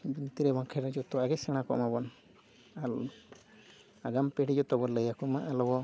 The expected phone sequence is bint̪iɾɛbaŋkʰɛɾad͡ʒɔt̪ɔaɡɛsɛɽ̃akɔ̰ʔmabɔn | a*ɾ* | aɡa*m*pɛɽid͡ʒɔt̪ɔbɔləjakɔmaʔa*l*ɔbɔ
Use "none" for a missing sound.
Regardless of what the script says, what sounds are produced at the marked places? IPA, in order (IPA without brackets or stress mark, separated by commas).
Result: l, m, l